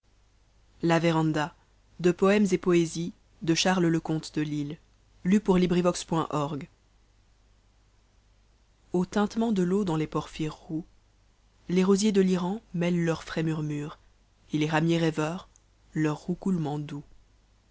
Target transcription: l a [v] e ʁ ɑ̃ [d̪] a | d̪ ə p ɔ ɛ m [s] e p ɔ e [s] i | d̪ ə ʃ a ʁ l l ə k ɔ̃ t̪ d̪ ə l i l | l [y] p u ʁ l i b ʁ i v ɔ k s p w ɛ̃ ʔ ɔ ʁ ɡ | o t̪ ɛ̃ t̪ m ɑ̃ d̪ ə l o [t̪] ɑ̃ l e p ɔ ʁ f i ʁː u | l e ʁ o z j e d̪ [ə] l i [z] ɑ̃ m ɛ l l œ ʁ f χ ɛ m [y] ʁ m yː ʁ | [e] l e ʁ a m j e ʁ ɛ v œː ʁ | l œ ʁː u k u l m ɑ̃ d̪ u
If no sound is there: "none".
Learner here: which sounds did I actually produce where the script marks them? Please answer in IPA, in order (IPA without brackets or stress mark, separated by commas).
v, d̪, z, z, y, d̪, ə, ʁ, y, e